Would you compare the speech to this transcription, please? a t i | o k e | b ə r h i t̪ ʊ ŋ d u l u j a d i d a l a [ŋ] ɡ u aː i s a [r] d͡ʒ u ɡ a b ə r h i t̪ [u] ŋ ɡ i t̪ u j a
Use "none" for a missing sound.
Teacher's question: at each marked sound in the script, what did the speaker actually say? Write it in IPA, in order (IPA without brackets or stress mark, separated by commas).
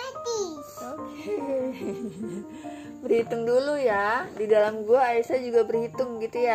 m, none, ʊ